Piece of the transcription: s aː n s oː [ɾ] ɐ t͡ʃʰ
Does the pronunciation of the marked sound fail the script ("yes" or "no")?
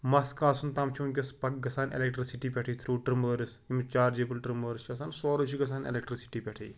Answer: no